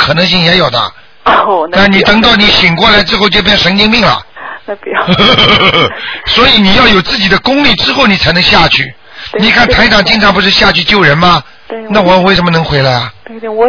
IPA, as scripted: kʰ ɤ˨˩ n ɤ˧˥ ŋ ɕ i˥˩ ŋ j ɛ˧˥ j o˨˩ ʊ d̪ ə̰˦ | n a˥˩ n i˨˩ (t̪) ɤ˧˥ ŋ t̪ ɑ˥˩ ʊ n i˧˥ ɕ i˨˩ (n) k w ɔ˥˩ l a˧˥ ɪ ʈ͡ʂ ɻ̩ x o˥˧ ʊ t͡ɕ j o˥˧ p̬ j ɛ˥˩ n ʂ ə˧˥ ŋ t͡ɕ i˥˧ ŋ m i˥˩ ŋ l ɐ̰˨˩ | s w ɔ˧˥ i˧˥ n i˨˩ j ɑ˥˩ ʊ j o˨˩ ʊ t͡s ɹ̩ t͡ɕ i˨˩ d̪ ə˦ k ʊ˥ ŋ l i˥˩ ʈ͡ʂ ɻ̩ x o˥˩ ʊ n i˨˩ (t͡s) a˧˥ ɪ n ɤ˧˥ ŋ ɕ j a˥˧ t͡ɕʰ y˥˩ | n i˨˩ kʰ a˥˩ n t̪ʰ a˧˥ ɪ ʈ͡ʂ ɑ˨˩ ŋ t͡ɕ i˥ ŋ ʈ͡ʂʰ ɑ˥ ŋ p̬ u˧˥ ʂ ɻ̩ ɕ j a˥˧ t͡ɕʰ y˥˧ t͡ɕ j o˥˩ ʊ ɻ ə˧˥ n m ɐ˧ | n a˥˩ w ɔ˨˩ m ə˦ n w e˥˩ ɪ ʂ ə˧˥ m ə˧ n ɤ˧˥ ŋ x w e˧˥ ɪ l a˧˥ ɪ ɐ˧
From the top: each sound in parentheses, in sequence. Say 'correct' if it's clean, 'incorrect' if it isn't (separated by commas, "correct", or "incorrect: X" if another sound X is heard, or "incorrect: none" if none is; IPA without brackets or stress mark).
correct, incorrect: ŋ, incorrect: t͡sʰ